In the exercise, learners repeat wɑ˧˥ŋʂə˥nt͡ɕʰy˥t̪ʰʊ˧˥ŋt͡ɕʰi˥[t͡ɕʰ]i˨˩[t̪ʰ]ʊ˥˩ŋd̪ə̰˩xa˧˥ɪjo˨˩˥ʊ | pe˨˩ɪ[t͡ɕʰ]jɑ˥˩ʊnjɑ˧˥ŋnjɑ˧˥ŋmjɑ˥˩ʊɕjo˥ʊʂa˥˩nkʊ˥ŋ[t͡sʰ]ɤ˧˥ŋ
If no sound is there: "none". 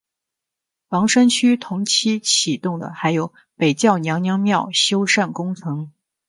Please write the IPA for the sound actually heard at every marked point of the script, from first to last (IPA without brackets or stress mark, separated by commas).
t͡ɕʰ, t̪, t͡ɕ, t͡sʰ